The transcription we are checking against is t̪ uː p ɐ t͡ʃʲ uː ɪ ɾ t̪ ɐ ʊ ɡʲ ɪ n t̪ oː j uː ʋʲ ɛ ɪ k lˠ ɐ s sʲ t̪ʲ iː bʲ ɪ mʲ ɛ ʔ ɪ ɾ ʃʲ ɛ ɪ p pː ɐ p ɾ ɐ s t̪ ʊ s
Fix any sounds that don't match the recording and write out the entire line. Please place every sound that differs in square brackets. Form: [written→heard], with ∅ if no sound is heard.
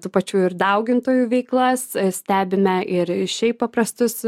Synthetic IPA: t̪ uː p ɐ t͡ʃʲ uː ɪ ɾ [t̪→d̪] ɐ ʊ ɡʲ ɪ n t̪ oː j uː ʋʲ ɛ ɪ k lˠ ɐ s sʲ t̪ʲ [iː→æː] bʲ ɪ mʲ ɛ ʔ ɪ ɾ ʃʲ ɛ ɪ p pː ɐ p ɾ ɐ s t̪ ʊ s